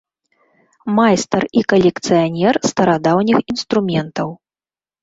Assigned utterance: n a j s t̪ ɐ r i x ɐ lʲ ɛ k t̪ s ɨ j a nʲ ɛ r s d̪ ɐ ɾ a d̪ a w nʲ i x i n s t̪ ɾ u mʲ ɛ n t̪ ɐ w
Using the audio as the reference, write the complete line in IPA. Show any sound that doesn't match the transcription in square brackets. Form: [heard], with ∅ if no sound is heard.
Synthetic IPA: [m] a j s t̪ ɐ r i [k] ɐ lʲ ɛ k t̪ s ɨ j a nʲ ɛ r s [t̪] ɐ ɾ a d̪ a w nʲ i x i n s t̪ ɾ u mʲ ɛ n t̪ ɐ w